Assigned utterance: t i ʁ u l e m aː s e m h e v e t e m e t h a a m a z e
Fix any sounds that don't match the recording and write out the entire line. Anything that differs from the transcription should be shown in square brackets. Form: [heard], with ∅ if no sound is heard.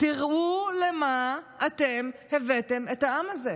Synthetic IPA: t i ʁ u l e m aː [t] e m h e v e t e m e t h a a m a z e